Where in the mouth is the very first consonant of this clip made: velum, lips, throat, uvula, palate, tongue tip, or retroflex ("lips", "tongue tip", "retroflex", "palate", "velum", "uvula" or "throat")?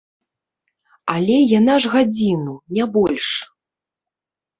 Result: tongue tip